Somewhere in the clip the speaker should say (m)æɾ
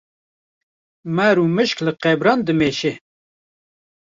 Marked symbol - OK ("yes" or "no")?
yes